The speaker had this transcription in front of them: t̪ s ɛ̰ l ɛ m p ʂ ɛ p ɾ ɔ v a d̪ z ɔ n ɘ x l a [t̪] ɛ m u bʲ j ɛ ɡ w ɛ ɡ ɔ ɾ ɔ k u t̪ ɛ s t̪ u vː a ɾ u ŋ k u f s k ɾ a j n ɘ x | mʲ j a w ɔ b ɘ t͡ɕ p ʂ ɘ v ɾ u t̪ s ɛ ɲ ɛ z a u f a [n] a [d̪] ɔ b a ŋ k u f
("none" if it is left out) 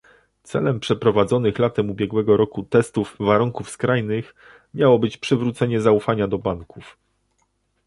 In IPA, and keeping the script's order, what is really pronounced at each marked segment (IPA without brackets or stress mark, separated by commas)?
t̪, ɲ, d̪